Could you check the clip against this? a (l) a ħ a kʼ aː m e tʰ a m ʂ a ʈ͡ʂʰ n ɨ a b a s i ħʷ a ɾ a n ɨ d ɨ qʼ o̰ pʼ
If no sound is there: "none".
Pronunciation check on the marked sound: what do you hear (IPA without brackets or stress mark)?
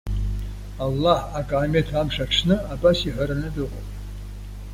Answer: lː